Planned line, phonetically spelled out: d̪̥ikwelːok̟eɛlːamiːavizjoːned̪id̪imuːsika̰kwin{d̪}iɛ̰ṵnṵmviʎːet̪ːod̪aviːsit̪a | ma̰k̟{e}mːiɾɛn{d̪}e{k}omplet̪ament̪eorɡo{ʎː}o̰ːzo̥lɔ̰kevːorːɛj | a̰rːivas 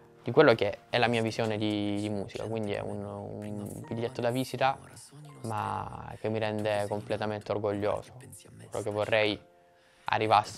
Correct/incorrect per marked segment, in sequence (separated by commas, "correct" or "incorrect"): correct, correct, correct, correct, correct